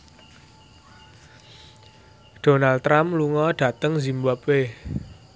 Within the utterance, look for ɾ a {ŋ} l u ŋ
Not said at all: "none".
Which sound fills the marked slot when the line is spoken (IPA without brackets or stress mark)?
m